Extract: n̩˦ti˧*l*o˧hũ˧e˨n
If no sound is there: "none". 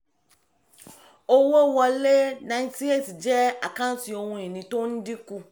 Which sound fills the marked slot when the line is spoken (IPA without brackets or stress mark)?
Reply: none